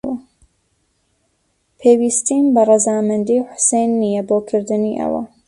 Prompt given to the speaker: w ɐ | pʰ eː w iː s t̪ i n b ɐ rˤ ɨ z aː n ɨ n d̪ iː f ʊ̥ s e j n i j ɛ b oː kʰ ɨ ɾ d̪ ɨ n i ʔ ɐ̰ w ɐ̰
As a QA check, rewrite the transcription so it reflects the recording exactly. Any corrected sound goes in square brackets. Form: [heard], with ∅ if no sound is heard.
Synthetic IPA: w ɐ | pʰ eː w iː s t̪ i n b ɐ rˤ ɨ z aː [m] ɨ n d̪ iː [ħ] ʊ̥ s e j [nː] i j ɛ b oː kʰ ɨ ɾ d̪ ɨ n i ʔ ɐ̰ w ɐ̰